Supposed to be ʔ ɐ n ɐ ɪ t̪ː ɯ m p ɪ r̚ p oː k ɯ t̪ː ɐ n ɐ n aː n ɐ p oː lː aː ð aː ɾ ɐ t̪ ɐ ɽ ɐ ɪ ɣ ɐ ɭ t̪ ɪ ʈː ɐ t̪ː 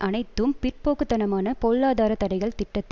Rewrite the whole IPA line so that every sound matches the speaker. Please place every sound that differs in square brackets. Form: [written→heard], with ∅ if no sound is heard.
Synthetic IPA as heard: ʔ ɐ n ɐ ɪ t̪ː ɯ m p ɪ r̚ p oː k ɯ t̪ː ɐ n ɐ [n→m] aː n ɐ p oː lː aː ð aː ɾ ɐ t̪ ɐ ɽ ɐ ɪ ɣ ɐ ɭ t̪ ɪ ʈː ɐ t̪ː